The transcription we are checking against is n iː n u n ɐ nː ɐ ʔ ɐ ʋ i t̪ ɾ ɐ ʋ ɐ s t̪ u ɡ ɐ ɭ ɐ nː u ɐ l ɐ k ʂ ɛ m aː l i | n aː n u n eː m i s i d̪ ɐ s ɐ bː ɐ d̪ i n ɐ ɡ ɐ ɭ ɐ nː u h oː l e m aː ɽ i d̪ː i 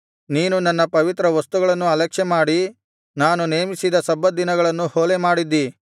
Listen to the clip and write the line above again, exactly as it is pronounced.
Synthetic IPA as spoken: n iː n u n ɐ nː ɐ p ɐ ʋ i t̪ ɾ ɐ ʋ ɐ s t̪ u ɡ ɐ ɭ ɐ nː u ɐ l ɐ k ʂ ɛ m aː ɽ i | n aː n u n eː m i s i d̪ ɐ s ɐ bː ɐ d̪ i n ɐ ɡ ɐ ɭ ɐ nː u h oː l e m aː ɽ i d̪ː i

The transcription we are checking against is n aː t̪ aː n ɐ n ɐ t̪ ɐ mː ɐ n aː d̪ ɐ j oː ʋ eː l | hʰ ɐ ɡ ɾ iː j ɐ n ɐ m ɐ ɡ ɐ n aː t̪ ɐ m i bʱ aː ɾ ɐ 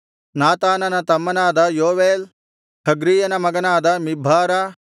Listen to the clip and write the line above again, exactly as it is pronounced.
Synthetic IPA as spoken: n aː t̪ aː n ɐ n ɐ t̪ ɐ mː ɐ n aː d̪ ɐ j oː ʋ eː l | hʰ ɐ ɡ ɾ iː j ɐ n ɐ m ɐ ɡ ɐ n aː d̪ ɐ m i bʱ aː ɾ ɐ

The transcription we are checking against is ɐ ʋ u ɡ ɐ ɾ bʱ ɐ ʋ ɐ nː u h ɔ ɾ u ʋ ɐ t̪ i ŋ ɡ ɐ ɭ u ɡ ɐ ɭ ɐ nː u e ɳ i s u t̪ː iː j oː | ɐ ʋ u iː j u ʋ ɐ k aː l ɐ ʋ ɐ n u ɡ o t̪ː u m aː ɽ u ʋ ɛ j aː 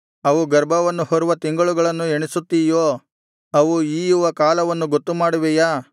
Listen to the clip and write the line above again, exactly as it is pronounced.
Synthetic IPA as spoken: ɐ ʋ u ɡ ɐ ɾ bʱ ɐ ʋ ɐ nː u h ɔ ɾ u ʋ ɐ t̪ i ŋ ɡ ɐ ɭ u ɡ ɐ ɭ ɐ nː u e ɳ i s u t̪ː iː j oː | ɐ ʋ u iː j u ʋ ɐ k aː l ɐ ʋ ɐ nː u ɡ o t̪ː u m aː ɽ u ʋ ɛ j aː

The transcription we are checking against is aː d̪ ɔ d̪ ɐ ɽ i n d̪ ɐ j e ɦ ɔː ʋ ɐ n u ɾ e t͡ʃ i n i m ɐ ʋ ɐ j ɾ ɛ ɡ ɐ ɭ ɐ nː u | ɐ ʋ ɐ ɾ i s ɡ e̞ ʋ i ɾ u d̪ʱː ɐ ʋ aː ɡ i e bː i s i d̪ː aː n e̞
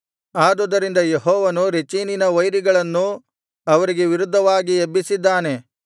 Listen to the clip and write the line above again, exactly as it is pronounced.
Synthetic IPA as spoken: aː d̪ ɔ d̪ ɐ ɾ i n d̪ ɐ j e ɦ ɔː ʋ ɐ n u ɾ e t͡ʃ i n i n ɐ ʋ ɐ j ɾ i ɡ ɐ ɭ ɐ nː u | ɐ ʋ ɐ ɾ i ɡ e̞ ʋ i ɾ u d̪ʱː ɐ ʋ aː ɡ i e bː i s i d̪ː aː n e̞

